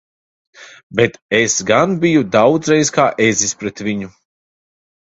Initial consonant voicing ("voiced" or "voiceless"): voiced